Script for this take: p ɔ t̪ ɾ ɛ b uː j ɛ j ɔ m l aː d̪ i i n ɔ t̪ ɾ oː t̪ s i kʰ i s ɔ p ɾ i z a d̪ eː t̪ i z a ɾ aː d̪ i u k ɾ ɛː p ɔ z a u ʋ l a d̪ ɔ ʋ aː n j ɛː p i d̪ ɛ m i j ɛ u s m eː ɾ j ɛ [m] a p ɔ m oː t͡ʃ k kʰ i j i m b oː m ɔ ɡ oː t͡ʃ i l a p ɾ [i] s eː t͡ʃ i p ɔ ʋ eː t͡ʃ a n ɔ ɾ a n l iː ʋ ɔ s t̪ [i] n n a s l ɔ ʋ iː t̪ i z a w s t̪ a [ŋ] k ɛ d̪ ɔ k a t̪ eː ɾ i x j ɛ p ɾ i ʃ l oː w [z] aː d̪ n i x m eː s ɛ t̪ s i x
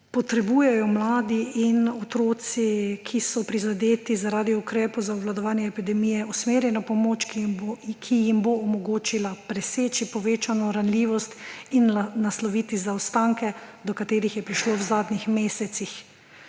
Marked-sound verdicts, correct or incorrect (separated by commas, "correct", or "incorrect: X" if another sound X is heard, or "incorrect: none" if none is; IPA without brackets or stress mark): incorrect: n, incorrect: ɛ, correct, correct, correct